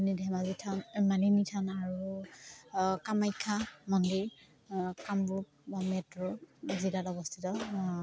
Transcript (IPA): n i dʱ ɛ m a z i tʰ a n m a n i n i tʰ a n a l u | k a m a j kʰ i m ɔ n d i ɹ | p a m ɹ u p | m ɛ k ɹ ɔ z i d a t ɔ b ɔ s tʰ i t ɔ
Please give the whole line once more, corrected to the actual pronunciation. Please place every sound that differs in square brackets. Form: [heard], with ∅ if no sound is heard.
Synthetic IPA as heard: n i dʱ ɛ m a z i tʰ a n m a n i n i tʰ a n a [ɹ] u | k a m a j kʰ [a] m ɔ n d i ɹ | [k] a m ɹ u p | m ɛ [t] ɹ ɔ z i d a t ɔ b ɔ s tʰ i t ɔ

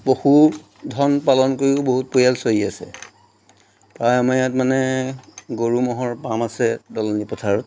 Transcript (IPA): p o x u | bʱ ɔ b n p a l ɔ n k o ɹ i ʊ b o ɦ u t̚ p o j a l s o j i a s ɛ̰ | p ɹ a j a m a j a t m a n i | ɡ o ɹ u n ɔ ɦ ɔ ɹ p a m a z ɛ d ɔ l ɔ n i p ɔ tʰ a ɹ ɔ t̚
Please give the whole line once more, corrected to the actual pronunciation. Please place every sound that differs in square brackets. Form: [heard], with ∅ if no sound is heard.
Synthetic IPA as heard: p o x u | [dʱ] ɔ [∅] n p a l ɔ n k o ɹ i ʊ b o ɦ u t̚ p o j a l s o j i a s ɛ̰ | p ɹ a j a m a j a t m a n [ɛ] | ɡ o ɹ u [m] ɔ ɦ ɔ ɹ p a m a [s] ɛ d ɔ l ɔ n i p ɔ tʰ a ɹ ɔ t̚

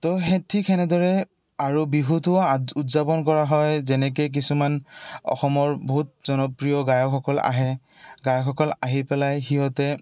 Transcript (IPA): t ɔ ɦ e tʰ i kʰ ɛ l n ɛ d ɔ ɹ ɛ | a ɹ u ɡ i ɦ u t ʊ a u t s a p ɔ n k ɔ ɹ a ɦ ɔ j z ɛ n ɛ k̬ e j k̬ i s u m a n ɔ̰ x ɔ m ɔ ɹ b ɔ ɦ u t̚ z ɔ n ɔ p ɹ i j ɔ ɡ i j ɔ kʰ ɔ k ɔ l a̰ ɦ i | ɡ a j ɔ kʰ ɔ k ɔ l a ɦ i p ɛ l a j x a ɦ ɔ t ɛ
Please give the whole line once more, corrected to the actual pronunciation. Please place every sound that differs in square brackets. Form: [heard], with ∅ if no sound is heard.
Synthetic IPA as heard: t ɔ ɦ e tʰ i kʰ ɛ [∅] n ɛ d ɔ ɹ ɛ | a ɹ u [b] i ɦ u t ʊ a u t [z] a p ɔ n k ɔ ɹ a ɦ ɔ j z ɛ n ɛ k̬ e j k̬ i s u m a n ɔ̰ x ɔ m ɔ ɹ b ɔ ɦ u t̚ z ɔ n ɔ p ɹ i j ɔ ɡ [a] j ɔ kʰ ɔ k ɔ l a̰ ɦ [ɛ] | ɡ a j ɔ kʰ ɔ k ɔ l a ɦ i p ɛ l a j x [i] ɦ ɔ t ɛ

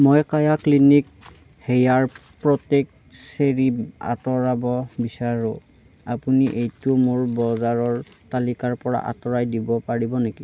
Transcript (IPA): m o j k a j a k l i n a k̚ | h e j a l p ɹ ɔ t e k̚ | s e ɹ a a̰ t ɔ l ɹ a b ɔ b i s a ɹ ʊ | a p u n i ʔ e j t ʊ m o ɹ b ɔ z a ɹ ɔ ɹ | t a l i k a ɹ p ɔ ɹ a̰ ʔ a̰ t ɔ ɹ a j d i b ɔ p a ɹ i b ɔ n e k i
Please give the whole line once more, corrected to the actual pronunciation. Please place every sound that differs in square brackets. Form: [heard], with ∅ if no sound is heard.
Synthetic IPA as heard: m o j k a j a k l i n [i] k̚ | h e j a [ɹ] p ɹ ɔ t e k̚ | s e ɹ [i] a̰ t ɔ [∅] ɹ a b ɔ b i s a ɹ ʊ | a p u n i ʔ e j t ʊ m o ɹ b ɔ z a ɹ ɔ ɹ | t a l i k a ɹ p ɔ ɹ a̰ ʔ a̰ t ɔ ɹ a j d i b ɔ p a ɹ i b ɔ n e k i

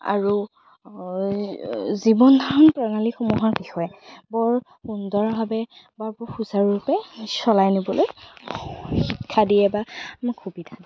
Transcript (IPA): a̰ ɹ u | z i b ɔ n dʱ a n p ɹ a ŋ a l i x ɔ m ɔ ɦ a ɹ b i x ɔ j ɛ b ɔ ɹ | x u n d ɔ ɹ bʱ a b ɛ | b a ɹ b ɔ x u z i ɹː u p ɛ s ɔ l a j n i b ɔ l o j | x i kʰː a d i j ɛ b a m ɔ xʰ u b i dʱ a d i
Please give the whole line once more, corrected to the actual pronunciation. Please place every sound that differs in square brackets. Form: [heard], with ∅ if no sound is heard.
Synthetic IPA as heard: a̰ ɹ u | z i b ɔ n dʱ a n p ɹ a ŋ a l i x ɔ m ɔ ɦ a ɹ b i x ɔ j ɛ b ɔ ɹ | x u n d ɔ ɹ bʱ a b ɛ | b a ɹ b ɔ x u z [a] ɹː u p ɛ s ɔ l a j n i b ɔ l o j | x i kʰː a d i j ɛ b a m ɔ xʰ u b i dʱ a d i

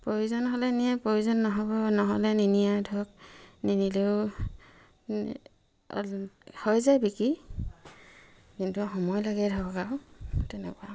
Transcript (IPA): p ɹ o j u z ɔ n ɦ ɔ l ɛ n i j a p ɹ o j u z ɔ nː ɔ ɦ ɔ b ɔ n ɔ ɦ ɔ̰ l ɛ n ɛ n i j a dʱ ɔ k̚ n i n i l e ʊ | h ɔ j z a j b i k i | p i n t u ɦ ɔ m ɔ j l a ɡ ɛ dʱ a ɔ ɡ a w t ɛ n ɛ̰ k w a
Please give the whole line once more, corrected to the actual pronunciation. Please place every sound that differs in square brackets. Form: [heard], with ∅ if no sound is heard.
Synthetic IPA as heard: p ɹ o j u z ɔ n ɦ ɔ l ɛ n i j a p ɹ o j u z ɔ nː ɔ ɦ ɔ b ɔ n ɔ ɦ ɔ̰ l ɛ n [i] n i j a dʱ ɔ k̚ n i n i l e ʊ | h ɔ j z a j b i k i | [k] i n t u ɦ ɔ m ɔ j l a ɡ ɛ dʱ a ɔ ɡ a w t ɛ n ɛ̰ k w a

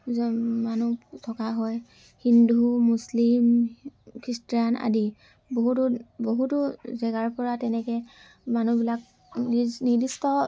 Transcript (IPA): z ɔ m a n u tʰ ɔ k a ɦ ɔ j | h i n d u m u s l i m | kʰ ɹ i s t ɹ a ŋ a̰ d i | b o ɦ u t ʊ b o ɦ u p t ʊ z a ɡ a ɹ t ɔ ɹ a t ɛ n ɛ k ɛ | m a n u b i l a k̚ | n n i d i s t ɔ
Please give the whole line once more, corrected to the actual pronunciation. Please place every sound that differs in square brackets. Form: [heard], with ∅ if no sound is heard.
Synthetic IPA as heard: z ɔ m a n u tʰ ɔ k a ɦ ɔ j | h i n d u m u s l i m | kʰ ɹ i s t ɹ a [n] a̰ d i | b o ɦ u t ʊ b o ɦ u [∅] t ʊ z [ɛ] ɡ a ɹ [p] ɔ ɹ a t ɛ n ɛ k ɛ | m a n u b i l a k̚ | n n i d i s t ɔ

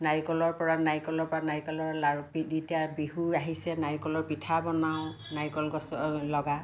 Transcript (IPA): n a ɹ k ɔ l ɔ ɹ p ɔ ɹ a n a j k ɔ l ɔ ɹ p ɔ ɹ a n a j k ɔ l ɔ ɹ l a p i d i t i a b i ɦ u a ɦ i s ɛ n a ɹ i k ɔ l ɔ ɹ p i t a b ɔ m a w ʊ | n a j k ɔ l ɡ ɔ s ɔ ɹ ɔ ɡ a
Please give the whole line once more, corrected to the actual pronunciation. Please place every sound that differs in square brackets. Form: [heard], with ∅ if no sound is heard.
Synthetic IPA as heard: n a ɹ k ɔ l ɔ ɹ p ɔ ɹ a n a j k ɔ l ɔ ɹ p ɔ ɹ a n a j k ɔ l ɔ ɹ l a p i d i t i a b i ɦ u a ɦ i s ɛ n a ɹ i k ɔ l ɔ ɹ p i [tʰ] a b ɔ [n] a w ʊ | n a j k ɔ l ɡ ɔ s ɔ [l] ɔ ɡ a

